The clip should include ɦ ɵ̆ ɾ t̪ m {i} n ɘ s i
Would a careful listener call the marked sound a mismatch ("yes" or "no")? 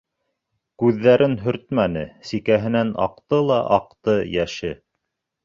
yes